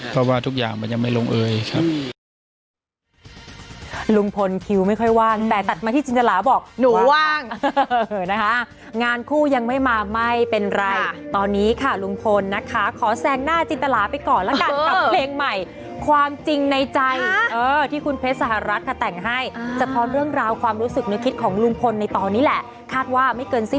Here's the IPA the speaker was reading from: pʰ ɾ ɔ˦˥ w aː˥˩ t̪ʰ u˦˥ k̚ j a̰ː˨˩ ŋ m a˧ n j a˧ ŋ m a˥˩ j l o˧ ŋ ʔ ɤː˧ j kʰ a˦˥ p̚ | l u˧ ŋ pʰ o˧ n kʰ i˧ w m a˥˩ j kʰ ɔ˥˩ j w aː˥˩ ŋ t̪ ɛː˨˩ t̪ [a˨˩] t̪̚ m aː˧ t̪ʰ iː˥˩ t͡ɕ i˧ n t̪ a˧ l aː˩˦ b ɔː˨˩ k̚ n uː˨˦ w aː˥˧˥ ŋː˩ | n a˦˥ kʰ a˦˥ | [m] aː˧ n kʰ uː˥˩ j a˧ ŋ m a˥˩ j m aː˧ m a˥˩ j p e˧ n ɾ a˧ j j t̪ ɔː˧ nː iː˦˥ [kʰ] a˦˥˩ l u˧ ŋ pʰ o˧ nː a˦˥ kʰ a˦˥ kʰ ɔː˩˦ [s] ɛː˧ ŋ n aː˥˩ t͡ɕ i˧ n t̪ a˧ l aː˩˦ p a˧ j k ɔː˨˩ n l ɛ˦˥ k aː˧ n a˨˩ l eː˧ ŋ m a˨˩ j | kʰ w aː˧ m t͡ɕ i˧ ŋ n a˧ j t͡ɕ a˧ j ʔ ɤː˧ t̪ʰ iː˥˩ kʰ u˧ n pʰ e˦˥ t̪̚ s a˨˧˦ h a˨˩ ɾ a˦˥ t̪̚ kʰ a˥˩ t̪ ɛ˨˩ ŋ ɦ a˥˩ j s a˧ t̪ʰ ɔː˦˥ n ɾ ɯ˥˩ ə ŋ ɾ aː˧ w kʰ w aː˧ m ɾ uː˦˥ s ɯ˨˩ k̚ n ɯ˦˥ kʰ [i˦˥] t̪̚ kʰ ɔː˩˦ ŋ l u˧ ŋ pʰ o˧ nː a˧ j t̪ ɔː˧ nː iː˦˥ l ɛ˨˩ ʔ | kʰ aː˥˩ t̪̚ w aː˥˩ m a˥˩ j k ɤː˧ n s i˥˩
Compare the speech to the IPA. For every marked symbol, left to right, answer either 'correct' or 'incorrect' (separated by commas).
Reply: correct, incorrect, correct, correct, correct